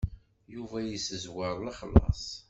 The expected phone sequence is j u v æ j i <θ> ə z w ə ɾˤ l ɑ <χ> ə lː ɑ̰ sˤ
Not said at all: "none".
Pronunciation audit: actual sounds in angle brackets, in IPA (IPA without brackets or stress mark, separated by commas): s, χ